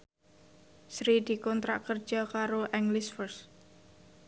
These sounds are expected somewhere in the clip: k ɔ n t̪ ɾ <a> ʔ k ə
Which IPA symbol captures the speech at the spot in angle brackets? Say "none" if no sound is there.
a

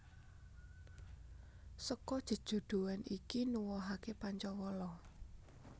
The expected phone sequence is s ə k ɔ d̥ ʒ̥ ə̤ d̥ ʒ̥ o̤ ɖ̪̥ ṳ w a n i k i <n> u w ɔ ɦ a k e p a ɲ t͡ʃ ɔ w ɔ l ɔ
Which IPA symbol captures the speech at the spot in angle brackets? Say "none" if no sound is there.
n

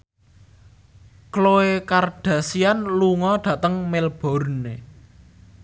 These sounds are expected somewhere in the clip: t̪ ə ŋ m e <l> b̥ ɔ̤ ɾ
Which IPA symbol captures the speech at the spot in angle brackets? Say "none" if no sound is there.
l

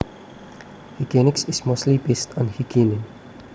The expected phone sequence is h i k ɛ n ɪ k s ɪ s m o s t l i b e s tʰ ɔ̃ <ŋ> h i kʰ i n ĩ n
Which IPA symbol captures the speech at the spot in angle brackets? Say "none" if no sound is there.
n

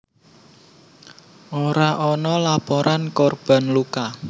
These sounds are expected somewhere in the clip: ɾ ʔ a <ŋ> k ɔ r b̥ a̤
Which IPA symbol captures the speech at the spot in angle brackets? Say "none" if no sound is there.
n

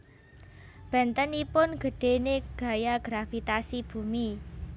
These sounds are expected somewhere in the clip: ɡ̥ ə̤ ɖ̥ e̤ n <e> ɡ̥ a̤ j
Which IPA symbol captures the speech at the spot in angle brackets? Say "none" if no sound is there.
e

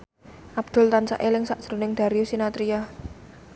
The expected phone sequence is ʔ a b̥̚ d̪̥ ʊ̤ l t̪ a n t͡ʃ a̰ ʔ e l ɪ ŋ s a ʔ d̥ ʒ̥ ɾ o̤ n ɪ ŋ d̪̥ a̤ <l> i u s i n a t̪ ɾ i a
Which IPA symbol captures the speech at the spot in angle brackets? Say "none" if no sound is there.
ɾ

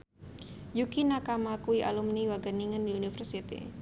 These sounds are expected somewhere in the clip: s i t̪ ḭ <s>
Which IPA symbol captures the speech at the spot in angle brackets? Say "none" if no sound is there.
none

